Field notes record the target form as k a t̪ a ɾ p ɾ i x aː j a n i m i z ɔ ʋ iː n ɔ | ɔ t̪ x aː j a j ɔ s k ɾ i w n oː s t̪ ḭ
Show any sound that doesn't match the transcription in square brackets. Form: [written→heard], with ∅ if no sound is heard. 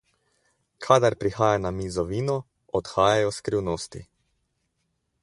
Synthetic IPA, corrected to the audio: [k→kʰ] a [t̪→d̪] a ɾ p ɾ i x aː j a n [i→a] m i z ɔ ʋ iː n ɔ | ɔ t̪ x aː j a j ɔ s k ɾ i w n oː s t̪ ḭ